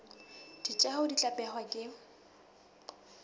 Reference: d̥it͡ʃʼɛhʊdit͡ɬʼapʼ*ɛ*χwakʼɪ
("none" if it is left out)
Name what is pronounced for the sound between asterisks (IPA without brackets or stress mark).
ɛ